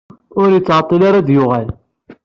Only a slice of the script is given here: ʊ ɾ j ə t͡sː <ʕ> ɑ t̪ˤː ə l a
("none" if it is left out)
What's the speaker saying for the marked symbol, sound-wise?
ʕ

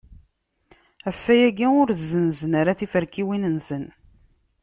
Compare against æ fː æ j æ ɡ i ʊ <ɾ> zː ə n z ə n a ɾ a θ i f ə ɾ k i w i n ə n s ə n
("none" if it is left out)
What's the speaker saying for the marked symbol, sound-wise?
ɾ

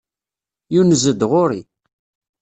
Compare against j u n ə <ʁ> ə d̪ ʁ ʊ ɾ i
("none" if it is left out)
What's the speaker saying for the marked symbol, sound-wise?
z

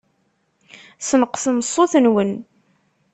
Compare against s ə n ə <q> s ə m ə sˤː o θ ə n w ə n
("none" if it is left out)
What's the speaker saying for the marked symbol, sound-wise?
q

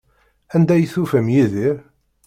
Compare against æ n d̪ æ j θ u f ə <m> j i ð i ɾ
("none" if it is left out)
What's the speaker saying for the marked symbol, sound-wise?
m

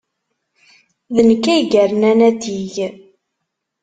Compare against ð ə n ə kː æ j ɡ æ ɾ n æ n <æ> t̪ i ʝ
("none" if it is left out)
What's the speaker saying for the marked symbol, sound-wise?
æ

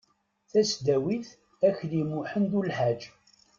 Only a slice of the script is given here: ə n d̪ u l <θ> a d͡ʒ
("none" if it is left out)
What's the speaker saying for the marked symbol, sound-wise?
ħ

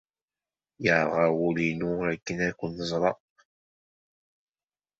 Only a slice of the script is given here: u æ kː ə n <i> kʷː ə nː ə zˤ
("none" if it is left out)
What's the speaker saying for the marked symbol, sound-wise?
æ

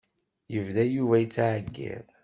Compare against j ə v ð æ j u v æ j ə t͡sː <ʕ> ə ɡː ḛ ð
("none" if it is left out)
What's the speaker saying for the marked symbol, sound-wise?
ʕ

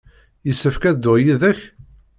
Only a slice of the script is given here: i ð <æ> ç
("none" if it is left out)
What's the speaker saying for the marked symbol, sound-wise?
æ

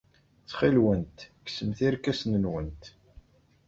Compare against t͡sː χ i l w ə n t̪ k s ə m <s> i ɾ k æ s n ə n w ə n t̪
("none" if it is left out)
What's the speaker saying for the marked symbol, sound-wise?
θ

